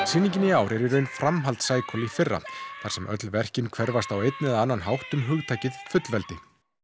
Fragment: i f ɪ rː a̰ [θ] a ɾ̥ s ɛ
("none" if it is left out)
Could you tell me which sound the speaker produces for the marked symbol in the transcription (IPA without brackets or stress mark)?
θ